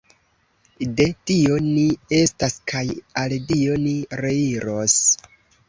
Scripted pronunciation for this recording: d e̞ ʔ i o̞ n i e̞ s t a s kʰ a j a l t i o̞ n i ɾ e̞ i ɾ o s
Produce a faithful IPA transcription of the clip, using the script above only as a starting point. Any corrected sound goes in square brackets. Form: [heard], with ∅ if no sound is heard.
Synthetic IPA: d e̞ [t] i o̞ n i e̞ s t a s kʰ a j a l [d] i o̞ n i ɾ e̞ i ɾ o s